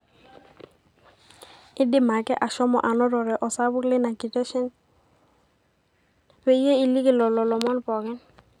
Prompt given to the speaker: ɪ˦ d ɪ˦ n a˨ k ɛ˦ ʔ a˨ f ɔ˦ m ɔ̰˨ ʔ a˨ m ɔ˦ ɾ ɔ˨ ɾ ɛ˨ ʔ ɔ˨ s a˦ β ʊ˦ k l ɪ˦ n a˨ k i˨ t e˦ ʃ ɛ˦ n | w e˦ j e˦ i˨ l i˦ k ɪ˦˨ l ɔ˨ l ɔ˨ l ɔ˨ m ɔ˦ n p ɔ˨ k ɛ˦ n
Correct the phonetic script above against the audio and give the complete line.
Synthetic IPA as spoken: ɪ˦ d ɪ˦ m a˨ k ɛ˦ ʔ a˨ ʃ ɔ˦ m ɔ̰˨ ʔ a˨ n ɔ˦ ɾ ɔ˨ ɾ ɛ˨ ʔ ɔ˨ s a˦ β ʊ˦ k l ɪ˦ n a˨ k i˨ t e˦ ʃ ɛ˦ n | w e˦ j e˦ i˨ l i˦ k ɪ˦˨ l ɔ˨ l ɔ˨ l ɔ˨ m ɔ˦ n p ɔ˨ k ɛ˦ n